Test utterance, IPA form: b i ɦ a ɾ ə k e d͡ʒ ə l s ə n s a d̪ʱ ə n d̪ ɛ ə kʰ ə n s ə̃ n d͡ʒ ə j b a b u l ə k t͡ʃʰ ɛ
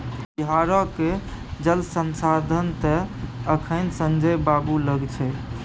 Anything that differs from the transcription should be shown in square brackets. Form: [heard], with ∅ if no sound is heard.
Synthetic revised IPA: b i ɦ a ɾ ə k e d͡ʒ ə l s ə n s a d̪ʱ ə n [t̪] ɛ ə kʰ ə n s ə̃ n d͡ʒ ə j b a b u l ə [ɡ] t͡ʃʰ ɛ

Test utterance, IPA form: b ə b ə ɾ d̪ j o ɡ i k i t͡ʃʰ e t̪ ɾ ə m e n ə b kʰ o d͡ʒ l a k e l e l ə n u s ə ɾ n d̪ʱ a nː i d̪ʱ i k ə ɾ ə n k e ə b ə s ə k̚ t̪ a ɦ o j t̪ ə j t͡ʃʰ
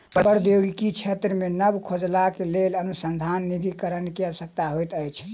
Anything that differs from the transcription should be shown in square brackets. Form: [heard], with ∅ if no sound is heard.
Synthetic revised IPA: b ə b ə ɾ d̪ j o ɡ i k i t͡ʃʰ e t̪ ɾ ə m e n ə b kʰ o d͡ʒ l a k e l e l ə n u s ə [∅] n d̪ʱ a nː i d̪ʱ i k ə ɾ ə n k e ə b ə s ə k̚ t̪ a ɦ o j t̪ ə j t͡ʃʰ

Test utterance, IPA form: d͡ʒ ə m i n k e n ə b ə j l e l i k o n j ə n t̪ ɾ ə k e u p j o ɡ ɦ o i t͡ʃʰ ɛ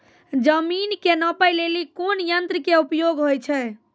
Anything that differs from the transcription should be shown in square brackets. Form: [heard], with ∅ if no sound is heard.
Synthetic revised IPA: d͡ʒ ə m i n k e n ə [p] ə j l e l i k o n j ə n t̪ ɾ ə k e u p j o ɡ ɦ o [j] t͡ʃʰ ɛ

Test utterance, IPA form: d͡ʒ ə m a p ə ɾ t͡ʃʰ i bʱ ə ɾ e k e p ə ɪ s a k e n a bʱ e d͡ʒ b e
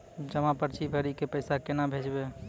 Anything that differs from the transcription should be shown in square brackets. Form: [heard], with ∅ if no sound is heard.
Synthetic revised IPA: d͡ʒ ə m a p ə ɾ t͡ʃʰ i bʱ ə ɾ [i] k e p ə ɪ s a k e n a bʱ e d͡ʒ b e

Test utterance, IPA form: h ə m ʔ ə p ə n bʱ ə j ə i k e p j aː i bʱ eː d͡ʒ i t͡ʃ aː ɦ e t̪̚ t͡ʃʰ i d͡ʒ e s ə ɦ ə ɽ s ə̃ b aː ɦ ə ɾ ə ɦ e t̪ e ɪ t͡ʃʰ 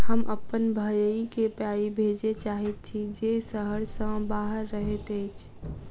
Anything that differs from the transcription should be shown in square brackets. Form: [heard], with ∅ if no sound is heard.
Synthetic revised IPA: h ə m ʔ ə p ə n bʱ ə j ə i k e p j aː i bʱ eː d͡ʒ [e] t͡ʃ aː ɦ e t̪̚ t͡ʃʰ i d͡ʒ e s ə ɦ ə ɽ s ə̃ b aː ɦ ə [ɾː] ə ɦ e t̪ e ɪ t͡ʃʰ

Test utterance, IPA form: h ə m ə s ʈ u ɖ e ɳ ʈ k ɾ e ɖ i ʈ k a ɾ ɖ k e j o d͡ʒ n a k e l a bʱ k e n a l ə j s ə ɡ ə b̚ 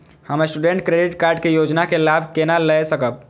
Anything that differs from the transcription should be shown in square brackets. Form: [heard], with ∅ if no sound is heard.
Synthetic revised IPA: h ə m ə s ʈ u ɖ e ɳ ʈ k ɾ e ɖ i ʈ k a ɾ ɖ k e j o d͡ʒ n a k e l a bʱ k e n a l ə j s ə [k] ə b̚

